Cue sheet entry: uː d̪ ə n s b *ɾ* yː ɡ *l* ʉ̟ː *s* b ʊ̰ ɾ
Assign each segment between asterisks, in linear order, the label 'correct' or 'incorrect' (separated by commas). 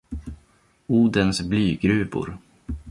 incorrect, incorrect, incorrect